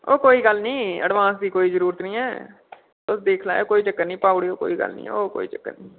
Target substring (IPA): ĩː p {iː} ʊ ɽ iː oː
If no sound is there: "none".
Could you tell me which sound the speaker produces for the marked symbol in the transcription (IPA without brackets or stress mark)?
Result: aː